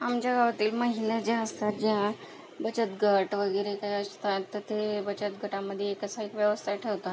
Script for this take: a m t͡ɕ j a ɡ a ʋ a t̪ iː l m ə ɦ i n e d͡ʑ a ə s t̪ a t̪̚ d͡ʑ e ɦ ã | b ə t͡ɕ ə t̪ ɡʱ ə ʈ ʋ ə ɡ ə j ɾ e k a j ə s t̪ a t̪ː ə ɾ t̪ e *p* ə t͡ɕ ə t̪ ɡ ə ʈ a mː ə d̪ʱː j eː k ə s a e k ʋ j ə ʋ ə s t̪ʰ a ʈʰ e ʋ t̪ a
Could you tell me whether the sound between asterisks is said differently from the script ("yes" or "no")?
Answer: yes